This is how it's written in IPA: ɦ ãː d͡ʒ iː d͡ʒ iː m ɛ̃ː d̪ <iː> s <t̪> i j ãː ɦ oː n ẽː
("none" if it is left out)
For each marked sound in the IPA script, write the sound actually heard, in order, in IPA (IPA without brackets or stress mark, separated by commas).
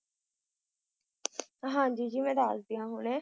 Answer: aː, d̪